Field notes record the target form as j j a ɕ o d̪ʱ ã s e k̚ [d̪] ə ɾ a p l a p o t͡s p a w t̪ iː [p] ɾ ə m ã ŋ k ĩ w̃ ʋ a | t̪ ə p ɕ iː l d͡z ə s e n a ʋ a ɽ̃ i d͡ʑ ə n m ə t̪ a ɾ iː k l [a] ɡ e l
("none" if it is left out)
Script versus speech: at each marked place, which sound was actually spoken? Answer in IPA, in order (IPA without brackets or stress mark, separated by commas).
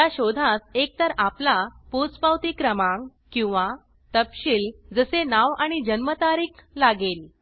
t̪, k, a